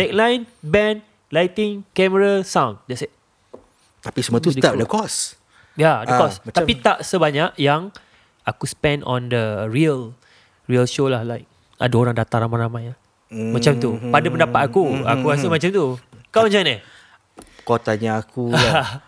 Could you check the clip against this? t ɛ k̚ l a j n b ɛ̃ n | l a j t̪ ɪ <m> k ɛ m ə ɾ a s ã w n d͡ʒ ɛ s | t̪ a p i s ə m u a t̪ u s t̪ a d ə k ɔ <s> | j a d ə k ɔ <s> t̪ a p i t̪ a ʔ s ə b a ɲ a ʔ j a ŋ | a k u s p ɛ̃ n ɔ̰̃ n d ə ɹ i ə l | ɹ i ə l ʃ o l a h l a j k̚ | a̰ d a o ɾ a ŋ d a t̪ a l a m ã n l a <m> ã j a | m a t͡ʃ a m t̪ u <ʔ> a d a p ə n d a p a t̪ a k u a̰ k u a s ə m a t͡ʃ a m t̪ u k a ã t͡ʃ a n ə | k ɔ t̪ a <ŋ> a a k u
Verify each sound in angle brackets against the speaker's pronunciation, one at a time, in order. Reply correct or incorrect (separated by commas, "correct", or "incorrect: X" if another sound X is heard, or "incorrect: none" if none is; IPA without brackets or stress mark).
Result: incorrect: ŋ, correct, correct, correct, incorrect: p, incorrect: ɲ